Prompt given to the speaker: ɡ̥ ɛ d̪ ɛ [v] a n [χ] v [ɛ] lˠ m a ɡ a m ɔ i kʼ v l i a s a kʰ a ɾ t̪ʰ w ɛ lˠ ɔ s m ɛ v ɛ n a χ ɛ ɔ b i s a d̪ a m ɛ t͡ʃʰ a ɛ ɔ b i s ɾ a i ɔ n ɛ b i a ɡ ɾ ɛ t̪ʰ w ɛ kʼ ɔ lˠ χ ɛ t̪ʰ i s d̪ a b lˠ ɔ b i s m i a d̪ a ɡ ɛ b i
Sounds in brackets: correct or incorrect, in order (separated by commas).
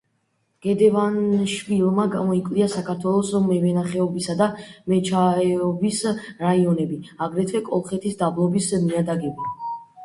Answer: correct, incorrect, incorrect